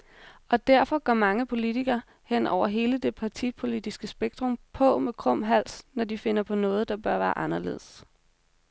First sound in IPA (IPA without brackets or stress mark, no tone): ɒ̽